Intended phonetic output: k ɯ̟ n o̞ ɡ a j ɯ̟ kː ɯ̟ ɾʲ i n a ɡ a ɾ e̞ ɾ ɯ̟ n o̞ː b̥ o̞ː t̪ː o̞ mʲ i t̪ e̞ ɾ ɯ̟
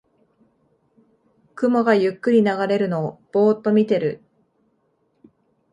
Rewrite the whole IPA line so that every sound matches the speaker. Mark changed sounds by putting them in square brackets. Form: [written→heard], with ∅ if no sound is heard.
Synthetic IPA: k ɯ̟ [n→m] o̞ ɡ a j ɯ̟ kː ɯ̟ ɾʲ i n a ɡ a ɾ e̞ ɾ ɯ̟ n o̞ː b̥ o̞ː t̪ː o̞ mʲ i t̪ e̞ ɾ ɯ̟